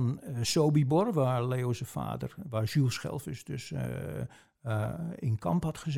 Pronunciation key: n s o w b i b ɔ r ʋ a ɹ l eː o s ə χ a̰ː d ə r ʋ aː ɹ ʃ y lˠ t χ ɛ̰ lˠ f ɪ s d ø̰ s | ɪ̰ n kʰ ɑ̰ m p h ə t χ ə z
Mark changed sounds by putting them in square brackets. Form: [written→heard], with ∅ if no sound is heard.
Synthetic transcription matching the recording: n s o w b i b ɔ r ʋ a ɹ l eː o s ə [χ→f] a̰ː d ə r ʋ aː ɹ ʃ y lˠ [t→s] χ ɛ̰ lˠ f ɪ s d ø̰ s | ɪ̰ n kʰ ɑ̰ m p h [ə→ɑ] t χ ə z